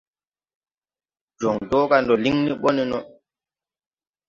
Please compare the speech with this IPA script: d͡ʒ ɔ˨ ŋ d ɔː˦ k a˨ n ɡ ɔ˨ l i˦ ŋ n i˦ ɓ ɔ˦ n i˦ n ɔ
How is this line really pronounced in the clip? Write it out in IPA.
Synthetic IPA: d͡ʒ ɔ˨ ŋ d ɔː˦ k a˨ n d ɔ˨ l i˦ ŋ n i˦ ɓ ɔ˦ n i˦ n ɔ